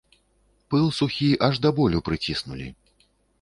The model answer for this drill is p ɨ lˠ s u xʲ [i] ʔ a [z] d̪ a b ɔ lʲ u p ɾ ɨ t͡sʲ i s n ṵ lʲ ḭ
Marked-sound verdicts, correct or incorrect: correct, incorrect

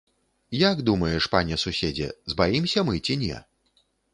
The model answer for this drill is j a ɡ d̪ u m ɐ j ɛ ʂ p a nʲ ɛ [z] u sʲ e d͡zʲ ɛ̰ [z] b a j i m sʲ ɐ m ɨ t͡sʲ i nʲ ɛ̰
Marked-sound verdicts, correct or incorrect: incorrect, correct

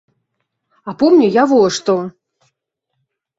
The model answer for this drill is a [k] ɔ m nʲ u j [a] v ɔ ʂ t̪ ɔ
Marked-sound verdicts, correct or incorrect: incorrect, correct

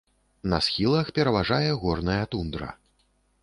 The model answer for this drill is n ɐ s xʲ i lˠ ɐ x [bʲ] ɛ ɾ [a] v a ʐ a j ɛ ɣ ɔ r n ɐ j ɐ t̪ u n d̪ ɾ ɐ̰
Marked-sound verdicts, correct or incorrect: incorrect, incorrect

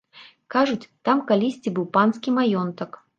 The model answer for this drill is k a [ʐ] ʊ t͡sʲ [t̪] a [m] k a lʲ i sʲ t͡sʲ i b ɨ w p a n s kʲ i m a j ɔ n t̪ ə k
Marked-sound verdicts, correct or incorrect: correct, correct, correct

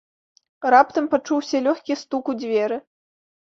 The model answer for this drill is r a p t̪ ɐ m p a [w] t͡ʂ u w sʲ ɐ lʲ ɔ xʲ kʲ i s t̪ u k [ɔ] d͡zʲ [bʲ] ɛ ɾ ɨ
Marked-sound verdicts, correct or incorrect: incorrect, incorrect, incorrect

